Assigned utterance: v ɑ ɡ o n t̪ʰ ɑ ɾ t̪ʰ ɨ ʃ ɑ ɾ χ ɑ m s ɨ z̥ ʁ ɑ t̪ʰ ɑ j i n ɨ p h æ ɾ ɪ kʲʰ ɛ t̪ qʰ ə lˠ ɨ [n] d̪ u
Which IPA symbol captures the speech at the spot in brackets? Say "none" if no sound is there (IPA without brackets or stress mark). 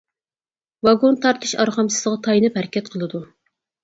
none